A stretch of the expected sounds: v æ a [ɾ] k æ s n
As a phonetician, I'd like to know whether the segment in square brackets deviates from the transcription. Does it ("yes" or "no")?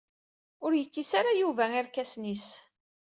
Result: no